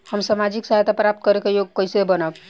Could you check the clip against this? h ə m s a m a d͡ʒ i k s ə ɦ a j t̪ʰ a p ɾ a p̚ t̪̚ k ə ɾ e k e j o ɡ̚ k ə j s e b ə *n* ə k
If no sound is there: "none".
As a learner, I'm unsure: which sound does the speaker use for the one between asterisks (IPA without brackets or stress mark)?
n